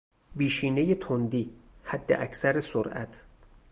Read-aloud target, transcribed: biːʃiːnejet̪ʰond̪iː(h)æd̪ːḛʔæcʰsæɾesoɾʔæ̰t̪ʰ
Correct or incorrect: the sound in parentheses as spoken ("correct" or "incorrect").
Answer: correct